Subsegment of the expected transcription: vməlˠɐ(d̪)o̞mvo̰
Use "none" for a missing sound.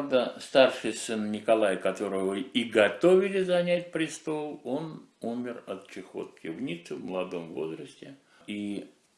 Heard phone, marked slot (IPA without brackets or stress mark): d̪